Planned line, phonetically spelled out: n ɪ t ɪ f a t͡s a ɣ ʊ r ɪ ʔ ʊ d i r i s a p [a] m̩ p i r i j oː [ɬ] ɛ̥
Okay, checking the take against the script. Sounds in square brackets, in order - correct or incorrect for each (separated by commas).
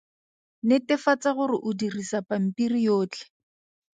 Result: correct, incorrect